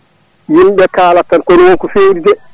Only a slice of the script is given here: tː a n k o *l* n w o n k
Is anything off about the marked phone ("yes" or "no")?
yes